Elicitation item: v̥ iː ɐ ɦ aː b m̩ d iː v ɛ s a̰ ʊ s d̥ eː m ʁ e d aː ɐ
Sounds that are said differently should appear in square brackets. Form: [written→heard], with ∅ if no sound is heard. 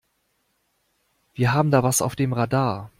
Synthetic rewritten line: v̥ iː ɐ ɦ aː b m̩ d [iː→aː] v [ɛ→a] s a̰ ʊ [s→f] d̥ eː m ʁ [e→a] d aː ɐ